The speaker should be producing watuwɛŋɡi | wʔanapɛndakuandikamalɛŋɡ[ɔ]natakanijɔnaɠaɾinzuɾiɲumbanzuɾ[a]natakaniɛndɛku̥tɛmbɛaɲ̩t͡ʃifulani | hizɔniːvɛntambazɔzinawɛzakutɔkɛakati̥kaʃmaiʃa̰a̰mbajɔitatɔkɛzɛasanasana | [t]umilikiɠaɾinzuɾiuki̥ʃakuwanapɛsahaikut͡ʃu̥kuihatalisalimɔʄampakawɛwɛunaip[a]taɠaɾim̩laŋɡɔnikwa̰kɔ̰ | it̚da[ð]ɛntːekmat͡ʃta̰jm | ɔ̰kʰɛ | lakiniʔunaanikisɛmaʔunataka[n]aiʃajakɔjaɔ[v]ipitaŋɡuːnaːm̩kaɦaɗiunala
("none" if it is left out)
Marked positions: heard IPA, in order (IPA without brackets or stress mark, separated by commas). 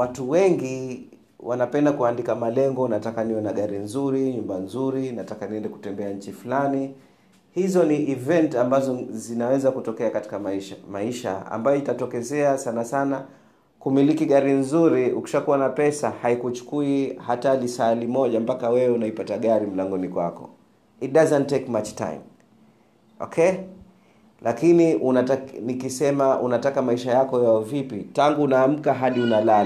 ɔ, i, k, a, z, m, v